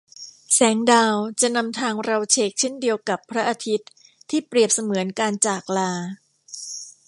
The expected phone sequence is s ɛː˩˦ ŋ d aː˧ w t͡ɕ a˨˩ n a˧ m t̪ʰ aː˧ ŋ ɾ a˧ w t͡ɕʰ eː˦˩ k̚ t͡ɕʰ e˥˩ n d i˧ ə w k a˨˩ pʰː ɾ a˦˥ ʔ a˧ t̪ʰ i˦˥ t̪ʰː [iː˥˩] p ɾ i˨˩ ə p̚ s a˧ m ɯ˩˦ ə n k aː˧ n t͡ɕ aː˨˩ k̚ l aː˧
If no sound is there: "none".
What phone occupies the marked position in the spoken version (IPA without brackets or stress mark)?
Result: iː˥˩